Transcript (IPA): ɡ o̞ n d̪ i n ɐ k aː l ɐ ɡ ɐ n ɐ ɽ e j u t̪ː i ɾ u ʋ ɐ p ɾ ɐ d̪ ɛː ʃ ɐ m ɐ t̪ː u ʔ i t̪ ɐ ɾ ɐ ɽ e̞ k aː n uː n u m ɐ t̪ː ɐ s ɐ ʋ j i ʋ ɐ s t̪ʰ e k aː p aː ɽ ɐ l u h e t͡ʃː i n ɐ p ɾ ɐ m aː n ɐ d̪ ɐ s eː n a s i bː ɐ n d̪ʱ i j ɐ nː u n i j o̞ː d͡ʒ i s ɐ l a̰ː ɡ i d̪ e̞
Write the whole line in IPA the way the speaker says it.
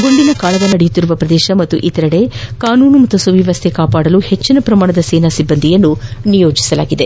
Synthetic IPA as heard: ɡ o̞ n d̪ i n ɐ k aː l ɐ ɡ ɐ n ɐ ɽ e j u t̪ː i ɾ u ʋ ɐ p ɾ ɐ d̪ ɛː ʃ ɐ m ɐ t̪ː u ʔ i t̪ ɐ ɾ ɐ ɽ e̞ k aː n uː n u m ɐ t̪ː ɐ s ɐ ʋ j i ʋ ɐ s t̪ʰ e k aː p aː ɽ ɐ l u h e t͡ʃː i n ɐ p ɾ ɐ m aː ɳ ɐ d̪ ɐ s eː n a s i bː ɐ n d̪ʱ i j ɐ nː u n i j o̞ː d͡ʒ i s ɐ l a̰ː ɡ i d̪ e̞

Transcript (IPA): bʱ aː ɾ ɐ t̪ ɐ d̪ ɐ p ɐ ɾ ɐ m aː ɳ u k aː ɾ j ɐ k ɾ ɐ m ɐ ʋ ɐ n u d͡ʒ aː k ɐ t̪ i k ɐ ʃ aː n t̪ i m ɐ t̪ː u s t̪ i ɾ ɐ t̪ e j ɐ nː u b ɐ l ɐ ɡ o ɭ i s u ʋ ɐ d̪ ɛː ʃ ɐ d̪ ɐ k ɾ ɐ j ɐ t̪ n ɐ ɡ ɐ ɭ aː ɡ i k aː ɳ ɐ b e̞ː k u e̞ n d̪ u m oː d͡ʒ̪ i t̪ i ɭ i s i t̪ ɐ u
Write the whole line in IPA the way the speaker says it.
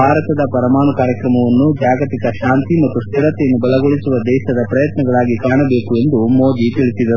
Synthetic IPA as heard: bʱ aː ɾ ɐ t̪ ɐ d̪ ɐ p ɐ ɾ ɐ m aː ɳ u k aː ɾ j ɐ k ɾ ɐ m ɐ ʋ ɐ nː u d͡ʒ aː ɡ ɐ t̪ i k ɐ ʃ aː n t̪ i m ɐ t̪ː u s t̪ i ɾ ɐ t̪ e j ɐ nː u b ɐ l ɐ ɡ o ɭ i s u ʋ ɐ d̪ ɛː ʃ ɐ d̪ ɐ p ɾ ɐ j ɐ t̪ n ɐ ɡ ɐ ɭ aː ɡ i k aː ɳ ɐ b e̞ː k u e̞ n d̪ u m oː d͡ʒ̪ i t̪ i ɭ i s i d̪ ɐ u

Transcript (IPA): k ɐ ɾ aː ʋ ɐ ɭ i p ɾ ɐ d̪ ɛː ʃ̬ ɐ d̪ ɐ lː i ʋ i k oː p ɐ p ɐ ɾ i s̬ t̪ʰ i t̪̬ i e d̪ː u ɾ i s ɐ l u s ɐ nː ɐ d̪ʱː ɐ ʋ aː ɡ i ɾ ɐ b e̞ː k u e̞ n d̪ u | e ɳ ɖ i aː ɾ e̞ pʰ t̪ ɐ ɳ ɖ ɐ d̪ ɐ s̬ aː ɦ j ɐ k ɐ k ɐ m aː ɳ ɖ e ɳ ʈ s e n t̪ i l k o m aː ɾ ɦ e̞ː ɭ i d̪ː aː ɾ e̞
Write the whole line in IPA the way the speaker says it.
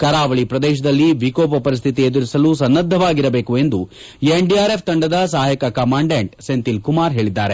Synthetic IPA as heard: k ɐ ɾ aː ʋ ɐ ɭ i p ɾ ɐ d̪ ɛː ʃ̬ ɐ d̪ ɐ lː i ʋ i k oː p ɐ p ɐ ɾ i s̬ t̪ʰ i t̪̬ i e d̪ u ɾ i s ɐ l u s ɐ nː ɐ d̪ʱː ɐ ʋ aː ɡ i ɾ ɐ b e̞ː k u e̞ n d̪ u | e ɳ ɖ i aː ɾ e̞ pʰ t̪ ɐ ɳ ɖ ɐ d̪ ɐ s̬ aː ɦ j ɐ k ɐ k ɐ m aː ɳ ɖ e ɳ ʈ s e n t̪ i l k u m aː ɾ ɦ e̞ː ɭ i d̪ː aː ɾ e̞

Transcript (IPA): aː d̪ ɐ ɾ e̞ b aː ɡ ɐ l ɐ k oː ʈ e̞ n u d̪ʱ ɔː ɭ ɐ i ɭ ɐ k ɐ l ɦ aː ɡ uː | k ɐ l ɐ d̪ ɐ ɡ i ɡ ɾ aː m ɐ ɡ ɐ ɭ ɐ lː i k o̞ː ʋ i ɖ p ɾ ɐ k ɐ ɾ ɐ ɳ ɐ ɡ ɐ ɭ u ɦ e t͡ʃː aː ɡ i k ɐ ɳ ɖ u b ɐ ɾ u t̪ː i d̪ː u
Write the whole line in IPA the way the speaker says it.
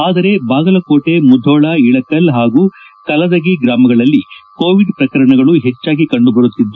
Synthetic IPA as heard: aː d̪ ɐ ɾ e̞ b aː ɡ ɐ l ɐ k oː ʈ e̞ m u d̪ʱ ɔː ɭ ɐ i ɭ ɐ k ɐ l ɦ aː ɡ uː | k ɐ l ɐ d̪ ɐ ɡ i ɡ ɾ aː m ɐ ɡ ɐ ɭ ɐ lː i k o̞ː ʋ i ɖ p ɾ ɐ k ɐ ɾ ɐ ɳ ɐ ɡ ɐ ɭ u ɦ e t͡ʃː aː ɡ i k ɐ ɳ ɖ u b ɐ ɾ u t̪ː i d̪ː u

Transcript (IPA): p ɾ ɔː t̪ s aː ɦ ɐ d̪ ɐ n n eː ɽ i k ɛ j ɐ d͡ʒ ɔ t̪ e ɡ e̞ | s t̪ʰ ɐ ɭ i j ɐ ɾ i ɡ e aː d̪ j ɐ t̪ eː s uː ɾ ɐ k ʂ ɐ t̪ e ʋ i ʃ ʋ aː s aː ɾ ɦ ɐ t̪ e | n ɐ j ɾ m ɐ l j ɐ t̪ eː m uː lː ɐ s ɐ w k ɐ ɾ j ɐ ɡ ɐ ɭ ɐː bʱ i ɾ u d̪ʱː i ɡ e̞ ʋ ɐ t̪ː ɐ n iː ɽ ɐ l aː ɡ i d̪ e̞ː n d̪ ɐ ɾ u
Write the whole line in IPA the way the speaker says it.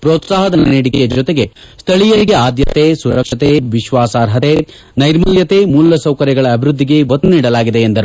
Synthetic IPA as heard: p ɾ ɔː t̪ s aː ɦ ɐ d̪ ɐ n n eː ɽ i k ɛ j ɐ d͡ʒ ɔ t̪ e ɡ e̞ | s t̪ʰ ɐ ɭ i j ɐ ɾ i ɡ e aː d̪ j ɐ t̪ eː s u ɾ ɐ k ʂ ɐ t̪ e ʋ i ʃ ʋ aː s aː ɾ ɦ ɐ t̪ e | n ɐ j ɾ m ɐ l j ɐ t̪ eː m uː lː ɐ s ɐ w k ɐ ɾ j ɐ ɡ ɐ ɭ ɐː bʱ i ɾ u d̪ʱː i ɡ e̞ ʋ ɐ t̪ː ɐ n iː ɽ ɐ l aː ɡ i d̪ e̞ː n d̪ ɐ ɾ u

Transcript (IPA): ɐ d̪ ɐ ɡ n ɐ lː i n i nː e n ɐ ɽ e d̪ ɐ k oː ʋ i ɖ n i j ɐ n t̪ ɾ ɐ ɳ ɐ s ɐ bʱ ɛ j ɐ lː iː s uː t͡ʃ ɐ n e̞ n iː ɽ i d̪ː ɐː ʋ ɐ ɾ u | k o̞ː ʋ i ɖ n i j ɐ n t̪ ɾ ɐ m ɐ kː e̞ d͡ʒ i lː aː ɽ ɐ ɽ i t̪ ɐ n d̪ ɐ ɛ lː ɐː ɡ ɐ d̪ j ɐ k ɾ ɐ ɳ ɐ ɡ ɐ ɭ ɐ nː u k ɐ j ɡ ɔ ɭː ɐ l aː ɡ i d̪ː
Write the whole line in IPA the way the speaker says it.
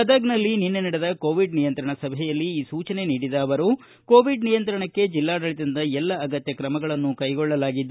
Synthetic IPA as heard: ɐ d̪ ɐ ɡ n ɐ lː i n i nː e n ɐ ɽ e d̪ ɐ k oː ʋ i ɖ n i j ɐ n t̪ ɾ ɐ ɳ ɐ s ɐ bʱ ɛ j ɐ lː iː s uː t͡ʃ ɐ n e̞ n iː ɽ i d̪ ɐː ʋ ɐ ɾ u | k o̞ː ʋ i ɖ n i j ɐ n t̪ ɾ ɐ ɳ ɐ kː e̞ d͡ʒ i lː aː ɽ ɐ ɭ i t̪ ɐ n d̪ ɐ ɛ lː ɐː ɡ ɐ t̪ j ɐ k ɾ ɐ m ɐ ɡ ɐ ɭ ɐ nː u k ɐ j ɡ ɔ ɭː ɐ l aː ɡ i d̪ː

